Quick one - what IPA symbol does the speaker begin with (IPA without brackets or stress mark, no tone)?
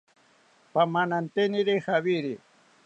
p